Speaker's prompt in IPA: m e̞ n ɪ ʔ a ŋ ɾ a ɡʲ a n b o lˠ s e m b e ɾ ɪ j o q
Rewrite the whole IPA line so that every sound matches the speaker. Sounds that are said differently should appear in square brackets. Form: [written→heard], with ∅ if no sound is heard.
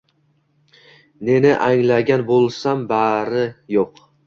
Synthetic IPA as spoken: [m→n] e̞ n ɪ ʔ a ŋ [ɾ→l] a ɡʲ a n b o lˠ s [e→a] m b [e→a] ɾ ɪ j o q